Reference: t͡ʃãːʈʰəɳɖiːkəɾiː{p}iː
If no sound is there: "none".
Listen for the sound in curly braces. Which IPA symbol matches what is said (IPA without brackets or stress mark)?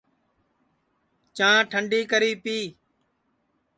p